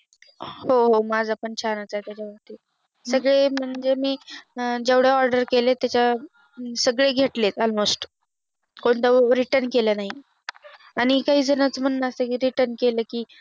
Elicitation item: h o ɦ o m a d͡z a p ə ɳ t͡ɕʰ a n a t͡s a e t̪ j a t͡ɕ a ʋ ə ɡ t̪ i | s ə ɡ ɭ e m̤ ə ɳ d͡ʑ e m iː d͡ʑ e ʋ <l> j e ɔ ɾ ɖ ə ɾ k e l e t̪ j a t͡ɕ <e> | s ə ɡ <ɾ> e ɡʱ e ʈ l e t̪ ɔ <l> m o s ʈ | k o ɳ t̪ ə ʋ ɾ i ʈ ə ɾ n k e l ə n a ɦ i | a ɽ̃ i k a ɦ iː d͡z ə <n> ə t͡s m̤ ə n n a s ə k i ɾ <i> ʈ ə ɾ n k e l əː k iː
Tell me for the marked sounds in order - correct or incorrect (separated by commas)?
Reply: incorrect, incorrect, incorrect, correct, correct, correct